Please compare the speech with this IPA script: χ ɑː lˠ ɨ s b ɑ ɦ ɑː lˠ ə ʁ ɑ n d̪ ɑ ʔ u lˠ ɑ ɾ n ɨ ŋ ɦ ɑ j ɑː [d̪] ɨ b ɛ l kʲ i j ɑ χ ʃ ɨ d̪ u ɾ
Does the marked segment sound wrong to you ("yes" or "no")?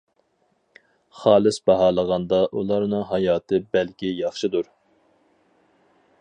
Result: yes